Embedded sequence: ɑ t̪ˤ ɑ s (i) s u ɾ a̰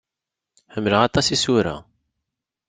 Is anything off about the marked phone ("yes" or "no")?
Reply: no